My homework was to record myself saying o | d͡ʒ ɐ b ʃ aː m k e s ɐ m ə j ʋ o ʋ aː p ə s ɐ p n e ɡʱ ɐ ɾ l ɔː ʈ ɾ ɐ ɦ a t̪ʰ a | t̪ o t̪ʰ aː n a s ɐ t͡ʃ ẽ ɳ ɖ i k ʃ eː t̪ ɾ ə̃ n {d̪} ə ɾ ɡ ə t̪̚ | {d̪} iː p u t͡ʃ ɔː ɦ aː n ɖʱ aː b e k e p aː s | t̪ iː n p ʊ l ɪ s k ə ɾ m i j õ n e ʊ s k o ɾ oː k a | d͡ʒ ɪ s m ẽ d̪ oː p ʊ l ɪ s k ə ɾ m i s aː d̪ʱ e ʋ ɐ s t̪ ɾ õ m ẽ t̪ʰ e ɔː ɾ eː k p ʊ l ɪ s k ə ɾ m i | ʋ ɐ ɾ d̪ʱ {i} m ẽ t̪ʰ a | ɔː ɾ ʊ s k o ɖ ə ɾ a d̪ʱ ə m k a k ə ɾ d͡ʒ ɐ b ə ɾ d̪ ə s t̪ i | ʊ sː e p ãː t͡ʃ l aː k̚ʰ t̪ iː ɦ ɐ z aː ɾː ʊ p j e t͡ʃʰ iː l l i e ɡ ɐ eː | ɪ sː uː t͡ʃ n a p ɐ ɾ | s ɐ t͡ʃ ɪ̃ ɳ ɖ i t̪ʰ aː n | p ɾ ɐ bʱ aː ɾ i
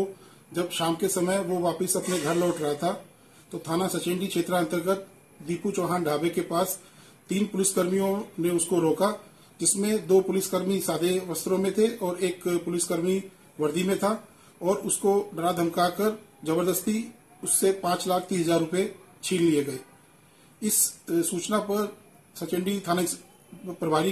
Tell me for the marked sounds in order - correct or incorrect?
incorrect: t̪, correct, correct

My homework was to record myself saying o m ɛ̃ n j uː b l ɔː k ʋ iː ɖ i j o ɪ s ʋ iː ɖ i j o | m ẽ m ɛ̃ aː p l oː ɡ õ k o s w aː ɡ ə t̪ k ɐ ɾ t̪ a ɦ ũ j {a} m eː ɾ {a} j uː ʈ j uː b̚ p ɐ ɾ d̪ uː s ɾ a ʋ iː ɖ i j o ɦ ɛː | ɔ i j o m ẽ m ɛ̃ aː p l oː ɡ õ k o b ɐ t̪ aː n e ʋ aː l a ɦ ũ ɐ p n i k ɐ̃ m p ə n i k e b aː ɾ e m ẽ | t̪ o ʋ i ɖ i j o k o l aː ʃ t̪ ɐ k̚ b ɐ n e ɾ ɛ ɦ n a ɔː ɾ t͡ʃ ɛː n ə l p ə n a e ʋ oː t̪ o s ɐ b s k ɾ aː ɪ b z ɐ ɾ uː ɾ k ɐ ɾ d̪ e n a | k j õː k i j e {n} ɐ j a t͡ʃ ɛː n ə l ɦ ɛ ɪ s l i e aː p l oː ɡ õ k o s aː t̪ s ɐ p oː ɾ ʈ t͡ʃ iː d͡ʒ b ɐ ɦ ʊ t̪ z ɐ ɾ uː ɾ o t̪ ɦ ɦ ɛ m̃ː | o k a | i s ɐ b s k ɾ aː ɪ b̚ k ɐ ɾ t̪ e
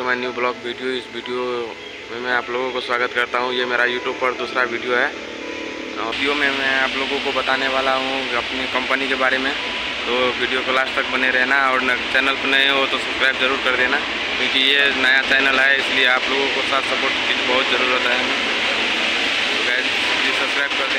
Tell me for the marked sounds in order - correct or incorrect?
incorrect: e, correct, correct

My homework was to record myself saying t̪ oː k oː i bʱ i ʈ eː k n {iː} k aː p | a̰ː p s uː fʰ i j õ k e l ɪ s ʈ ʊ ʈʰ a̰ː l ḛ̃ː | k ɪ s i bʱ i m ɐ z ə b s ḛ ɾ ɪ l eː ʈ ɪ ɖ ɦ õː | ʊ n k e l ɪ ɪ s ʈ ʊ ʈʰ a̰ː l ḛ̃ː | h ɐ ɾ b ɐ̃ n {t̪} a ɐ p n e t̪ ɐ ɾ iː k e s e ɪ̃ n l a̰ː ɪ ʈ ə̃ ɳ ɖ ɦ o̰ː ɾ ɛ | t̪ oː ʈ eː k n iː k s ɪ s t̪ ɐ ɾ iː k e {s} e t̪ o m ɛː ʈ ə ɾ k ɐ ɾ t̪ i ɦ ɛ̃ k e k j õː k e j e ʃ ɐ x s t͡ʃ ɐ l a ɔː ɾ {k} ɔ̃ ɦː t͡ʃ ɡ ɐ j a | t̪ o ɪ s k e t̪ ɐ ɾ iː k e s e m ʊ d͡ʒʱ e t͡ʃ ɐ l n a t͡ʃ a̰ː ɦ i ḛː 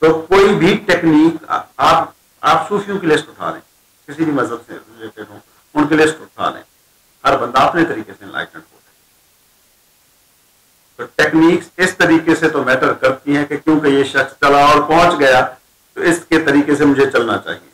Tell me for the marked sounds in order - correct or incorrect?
correct, incorrect: d̪, correct, incorrect: p

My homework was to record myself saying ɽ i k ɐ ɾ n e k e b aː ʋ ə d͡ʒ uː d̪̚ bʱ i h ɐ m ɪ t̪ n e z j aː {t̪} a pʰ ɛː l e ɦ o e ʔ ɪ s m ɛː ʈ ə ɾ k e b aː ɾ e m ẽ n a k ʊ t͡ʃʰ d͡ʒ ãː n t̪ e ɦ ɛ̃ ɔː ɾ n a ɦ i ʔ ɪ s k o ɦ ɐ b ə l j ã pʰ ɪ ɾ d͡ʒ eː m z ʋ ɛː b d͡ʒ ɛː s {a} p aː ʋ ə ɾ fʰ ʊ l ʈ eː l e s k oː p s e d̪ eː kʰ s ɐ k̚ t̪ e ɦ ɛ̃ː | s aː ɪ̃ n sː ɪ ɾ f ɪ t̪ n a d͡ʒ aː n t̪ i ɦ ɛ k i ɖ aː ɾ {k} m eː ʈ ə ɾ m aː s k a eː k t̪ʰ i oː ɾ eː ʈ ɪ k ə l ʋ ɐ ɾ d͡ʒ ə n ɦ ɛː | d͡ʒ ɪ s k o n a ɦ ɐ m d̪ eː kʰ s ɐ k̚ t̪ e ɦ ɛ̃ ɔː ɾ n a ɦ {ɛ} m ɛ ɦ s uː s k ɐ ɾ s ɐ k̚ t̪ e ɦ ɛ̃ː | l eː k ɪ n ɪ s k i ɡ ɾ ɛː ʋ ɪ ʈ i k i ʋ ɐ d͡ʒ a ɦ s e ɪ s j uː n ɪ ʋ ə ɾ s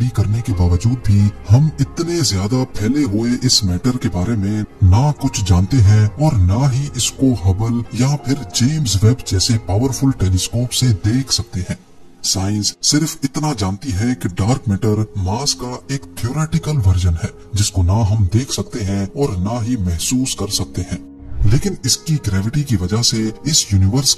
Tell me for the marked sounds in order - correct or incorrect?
incorrect: d̪, incorrect: e, correct, incorrect: i

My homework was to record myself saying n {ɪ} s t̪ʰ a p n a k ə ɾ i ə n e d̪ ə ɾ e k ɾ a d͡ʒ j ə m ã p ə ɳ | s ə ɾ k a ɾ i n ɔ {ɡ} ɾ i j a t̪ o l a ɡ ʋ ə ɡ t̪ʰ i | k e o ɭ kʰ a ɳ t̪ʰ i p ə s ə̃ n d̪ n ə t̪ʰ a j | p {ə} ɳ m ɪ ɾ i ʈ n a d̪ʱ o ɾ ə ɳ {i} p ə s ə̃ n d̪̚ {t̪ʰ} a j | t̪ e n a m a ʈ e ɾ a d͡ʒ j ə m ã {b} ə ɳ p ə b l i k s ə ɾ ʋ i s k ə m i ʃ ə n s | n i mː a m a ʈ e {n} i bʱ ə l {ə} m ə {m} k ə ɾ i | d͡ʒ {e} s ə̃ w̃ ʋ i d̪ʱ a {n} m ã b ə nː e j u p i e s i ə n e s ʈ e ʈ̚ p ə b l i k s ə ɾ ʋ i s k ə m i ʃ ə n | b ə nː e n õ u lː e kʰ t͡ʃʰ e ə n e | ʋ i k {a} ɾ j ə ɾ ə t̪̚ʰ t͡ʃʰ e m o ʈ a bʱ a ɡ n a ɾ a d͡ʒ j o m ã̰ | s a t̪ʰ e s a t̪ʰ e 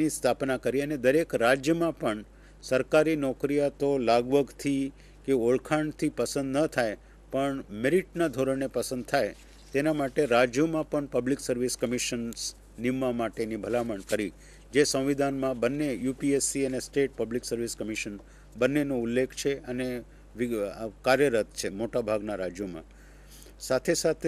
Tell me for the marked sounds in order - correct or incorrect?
incorrect: i, incorrect: k, correct, incorrect: e, correct, incorrect: p, correct, incorrect: a, incorrect: ɳ, correct, correct, correct

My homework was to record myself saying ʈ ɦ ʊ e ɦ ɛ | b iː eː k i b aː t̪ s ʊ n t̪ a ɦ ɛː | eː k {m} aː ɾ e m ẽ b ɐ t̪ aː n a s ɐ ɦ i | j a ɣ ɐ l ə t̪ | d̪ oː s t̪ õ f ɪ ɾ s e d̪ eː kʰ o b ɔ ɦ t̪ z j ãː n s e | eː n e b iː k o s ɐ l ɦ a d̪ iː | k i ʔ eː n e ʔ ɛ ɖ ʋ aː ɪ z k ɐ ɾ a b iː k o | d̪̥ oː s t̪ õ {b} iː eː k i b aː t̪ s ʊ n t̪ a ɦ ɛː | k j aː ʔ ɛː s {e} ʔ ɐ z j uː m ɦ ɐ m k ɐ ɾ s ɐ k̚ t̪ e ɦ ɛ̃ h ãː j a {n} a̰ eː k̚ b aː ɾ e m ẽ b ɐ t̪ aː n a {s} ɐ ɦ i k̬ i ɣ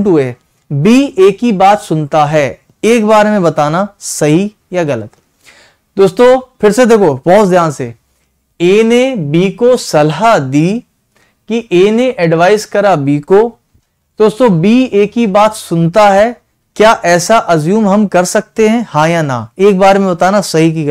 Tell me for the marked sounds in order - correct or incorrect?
incorrect: b, correct, incorrect: a, correct, correct

